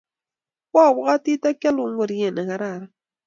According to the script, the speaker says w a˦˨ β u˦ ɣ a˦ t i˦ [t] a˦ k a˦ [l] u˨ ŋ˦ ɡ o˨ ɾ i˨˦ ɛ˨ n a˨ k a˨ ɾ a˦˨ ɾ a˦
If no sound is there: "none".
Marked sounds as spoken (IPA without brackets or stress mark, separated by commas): t, l